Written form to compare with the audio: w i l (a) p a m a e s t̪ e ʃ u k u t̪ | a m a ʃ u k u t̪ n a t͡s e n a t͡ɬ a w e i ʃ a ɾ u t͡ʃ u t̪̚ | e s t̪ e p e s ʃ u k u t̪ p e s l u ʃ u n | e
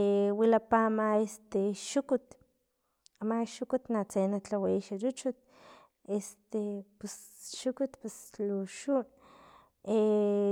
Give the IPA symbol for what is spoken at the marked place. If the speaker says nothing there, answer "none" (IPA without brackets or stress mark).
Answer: a